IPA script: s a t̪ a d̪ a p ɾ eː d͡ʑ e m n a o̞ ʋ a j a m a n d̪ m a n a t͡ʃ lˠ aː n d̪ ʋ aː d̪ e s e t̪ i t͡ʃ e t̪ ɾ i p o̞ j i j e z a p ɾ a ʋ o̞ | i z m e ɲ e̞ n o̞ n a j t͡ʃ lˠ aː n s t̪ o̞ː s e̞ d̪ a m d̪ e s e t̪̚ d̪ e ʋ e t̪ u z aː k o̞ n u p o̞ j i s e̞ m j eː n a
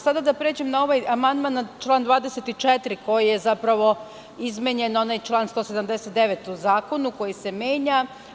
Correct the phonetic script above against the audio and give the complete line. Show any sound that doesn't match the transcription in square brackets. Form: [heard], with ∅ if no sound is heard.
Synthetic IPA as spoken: s a [d̪] a d̪ a p ɾ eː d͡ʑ e m n a o̞ ʋ a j a m a n d̪ m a n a t͡ʃ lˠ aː n d̪ ʋ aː d̪ e s e t̪ i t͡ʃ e t̪ ɾ i [k] o̞ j i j e z a p ɾ a ʋ o̞ | i z m e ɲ e̞ n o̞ n a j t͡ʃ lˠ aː n s t̪ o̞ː s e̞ d̪ a m d̪ e s e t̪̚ d̪ e ʋ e t̪ u z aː k o̞ n u [k] o̞ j i s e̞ m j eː [ɲ] a